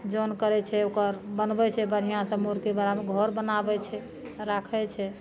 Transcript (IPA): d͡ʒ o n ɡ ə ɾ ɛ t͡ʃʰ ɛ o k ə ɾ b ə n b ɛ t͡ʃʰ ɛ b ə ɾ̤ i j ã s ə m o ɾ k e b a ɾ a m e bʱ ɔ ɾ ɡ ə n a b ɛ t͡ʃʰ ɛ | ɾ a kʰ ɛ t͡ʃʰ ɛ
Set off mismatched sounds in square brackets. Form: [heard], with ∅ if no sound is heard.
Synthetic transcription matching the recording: d͡ʒ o n [k] ə ɾ ɛ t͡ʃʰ ɛ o k ə ɾ b ə n b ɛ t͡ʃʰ ɛ b ə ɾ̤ i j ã s ə m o ɾ k e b a ɾ a m e [ɡʱ] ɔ ɾ [b] ə n a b ɛ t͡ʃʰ ɛ | ɾ a kʰ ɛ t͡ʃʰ ɛ